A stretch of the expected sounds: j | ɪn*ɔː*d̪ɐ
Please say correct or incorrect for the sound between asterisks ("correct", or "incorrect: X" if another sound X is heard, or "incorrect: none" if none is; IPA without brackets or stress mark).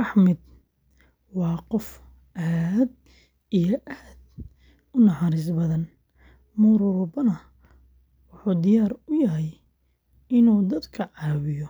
incorrect: uː